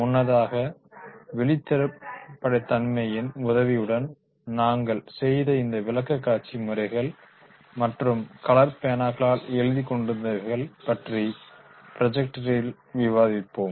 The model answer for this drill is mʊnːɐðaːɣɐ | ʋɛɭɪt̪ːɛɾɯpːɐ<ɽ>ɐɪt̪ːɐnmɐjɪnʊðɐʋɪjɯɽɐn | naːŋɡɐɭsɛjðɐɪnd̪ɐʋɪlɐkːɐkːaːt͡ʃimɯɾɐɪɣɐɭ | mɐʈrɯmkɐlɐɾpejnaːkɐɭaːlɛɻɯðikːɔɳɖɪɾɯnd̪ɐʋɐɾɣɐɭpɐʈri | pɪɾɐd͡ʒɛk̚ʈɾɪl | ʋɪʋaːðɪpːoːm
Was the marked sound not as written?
no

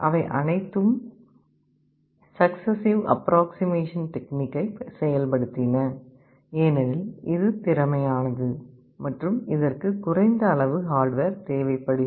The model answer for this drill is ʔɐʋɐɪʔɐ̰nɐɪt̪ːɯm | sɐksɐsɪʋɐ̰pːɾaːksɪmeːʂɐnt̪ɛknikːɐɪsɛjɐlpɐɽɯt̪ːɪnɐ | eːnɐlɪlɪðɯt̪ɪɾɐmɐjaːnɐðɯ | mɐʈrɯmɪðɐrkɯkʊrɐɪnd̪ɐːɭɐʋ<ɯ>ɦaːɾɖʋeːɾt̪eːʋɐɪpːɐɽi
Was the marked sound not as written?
no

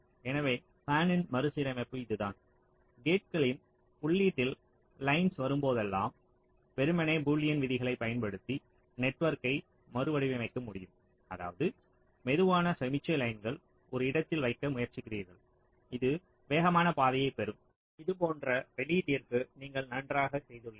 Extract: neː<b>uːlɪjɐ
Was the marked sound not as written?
no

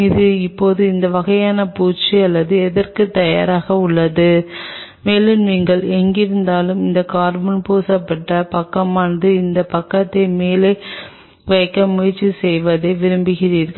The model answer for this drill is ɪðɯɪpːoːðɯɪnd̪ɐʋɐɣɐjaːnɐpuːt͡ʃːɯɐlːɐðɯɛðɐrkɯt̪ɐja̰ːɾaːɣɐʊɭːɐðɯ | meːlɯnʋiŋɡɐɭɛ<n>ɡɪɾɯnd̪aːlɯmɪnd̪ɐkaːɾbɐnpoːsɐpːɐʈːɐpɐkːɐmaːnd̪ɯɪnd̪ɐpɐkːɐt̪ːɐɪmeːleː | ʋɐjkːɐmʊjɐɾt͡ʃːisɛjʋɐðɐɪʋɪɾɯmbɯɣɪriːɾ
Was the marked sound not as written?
yes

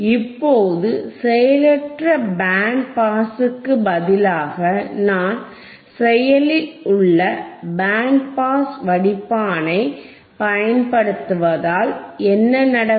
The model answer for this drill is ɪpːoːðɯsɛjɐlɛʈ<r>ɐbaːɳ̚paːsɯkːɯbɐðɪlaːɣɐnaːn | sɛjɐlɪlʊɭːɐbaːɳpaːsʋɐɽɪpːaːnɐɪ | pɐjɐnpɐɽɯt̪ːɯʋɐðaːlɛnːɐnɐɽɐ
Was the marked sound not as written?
no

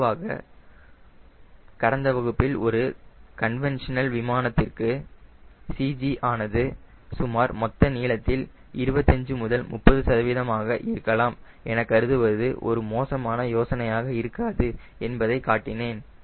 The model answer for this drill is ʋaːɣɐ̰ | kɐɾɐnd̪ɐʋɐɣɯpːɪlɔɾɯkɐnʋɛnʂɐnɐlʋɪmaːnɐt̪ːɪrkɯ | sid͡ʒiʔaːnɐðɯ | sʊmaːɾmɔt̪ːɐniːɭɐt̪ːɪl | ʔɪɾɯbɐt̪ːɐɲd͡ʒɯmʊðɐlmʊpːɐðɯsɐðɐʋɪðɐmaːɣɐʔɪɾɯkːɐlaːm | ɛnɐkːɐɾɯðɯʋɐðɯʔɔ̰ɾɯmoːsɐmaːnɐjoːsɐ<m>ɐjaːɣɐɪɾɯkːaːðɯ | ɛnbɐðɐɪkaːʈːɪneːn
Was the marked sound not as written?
yes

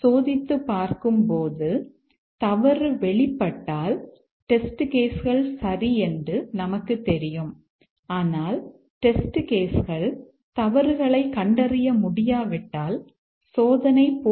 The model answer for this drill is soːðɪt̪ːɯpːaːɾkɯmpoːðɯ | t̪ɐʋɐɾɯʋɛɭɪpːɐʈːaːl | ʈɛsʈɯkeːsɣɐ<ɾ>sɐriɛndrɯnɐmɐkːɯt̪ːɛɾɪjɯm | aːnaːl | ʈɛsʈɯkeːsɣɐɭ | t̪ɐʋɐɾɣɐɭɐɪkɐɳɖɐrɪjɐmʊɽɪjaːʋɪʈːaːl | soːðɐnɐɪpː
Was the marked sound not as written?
yes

